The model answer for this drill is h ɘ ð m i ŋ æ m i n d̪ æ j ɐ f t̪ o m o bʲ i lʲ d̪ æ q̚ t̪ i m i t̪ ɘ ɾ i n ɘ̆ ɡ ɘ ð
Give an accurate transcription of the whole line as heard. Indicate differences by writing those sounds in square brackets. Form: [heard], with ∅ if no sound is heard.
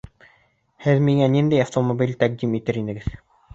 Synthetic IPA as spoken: h ɘ ð m i ŋ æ [n] i n d̪ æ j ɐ f t̪ o m o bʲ i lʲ [t̪] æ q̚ [d̪] i m i t̪ ɘ ɾ i n ɘ̆ ɡ ɘ ð